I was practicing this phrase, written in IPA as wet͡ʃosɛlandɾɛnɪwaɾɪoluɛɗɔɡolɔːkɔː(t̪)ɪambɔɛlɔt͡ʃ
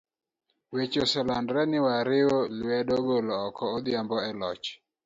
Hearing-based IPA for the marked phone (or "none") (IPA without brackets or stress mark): d̪